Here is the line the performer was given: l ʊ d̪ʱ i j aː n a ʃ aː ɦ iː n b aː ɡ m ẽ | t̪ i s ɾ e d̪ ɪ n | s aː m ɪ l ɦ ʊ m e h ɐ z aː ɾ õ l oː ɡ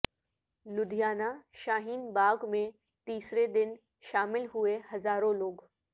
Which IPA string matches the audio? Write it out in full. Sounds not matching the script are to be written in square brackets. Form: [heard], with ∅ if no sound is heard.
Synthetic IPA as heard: l ʊ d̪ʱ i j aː n a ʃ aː ɦ iː n b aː ɡ m ẽ | t̪ [iː] s ɾ e d̪ ɪ n | [ʃ] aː m ɪ l ɦ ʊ [∅] e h ɐ z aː ɾ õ l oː ɡ